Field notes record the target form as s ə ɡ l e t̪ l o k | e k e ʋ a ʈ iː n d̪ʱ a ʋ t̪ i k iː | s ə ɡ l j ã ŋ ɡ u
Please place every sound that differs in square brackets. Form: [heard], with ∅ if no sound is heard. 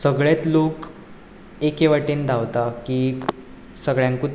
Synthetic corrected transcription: s ə ɡ [ɭ] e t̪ l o k | e k e ʋ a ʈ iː n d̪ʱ a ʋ t̪ [a] k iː | s ə ɡ [ɭ] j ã ŋ [k] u